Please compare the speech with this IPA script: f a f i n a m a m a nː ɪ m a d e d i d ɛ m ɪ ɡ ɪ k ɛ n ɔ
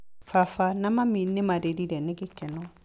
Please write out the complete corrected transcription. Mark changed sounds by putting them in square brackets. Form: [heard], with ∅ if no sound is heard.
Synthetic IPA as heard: f a f [a] n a m a m [i] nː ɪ m a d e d i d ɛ [n] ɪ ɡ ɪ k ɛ n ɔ